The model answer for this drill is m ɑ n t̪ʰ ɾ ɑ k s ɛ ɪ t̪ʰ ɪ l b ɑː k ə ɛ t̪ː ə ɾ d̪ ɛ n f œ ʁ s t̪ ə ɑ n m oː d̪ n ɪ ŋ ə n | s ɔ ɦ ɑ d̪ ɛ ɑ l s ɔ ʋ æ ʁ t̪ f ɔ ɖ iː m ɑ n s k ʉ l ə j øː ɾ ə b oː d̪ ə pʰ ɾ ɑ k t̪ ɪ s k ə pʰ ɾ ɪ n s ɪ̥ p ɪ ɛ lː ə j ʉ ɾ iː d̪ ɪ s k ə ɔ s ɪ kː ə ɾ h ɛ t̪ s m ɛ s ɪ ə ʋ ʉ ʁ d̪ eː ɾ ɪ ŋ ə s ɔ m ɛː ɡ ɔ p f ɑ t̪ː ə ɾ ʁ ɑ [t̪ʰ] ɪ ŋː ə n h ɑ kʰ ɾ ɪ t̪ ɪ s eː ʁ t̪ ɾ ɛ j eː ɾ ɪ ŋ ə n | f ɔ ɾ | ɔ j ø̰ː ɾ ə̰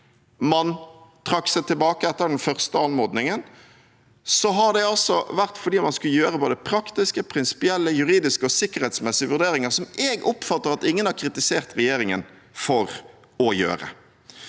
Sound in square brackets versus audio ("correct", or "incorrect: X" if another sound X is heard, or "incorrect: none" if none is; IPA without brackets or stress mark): incorrect: t̪